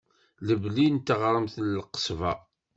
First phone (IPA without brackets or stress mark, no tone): l